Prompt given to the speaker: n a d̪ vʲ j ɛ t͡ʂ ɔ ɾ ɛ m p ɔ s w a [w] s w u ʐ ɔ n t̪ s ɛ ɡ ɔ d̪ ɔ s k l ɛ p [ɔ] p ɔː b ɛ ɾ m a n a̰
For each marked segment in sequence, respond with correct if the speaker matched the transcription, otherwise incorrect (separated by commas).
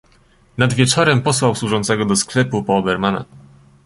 correct, incorrect